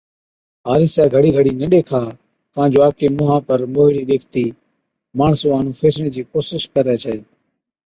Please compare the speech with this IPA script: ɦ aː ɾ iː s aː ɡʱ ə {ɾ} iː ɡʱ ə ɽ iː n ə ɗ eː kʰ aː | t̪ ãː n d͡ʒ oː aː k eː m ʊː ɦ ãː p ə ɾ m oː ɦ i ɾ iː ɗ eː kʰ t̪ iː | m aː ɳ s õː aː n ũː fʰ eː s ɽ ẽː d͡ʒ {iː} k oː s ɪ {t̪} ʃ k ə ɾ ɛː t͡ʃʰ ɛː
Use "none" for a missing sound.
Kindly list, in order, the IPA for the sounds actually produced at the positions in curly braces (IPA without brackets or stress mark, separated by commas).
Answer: ɽ, iː, none